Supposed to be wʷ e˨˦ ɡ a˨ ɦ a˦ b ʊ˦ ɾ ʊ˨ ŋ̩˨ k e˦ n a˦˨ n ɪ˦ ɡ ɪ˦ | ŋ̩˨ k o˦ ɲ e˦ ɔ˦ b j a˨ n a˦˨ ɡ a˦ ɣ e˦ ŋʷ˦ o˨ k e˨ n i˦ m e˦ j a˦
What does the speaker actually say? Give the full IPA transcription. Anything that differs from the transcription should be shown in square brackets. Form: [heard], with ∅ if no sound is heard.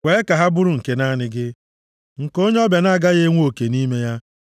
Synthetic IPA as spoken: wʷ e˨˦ [k] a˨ ɦ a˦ b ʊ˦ ɾ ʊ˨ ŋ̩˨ k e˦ n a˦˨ n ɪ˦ ɡ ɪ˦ | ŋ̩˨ k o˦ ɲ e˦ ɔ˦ b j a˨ n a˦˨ ɡ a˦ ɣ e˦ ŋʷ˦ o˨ k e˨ n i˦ m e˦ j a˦